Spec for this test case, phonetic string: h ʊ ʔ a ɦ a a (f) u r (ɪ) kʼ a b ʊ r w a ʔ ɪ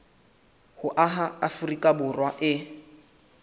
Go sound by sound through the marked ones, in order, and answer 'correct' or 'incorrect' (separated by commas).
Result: correct, incorrect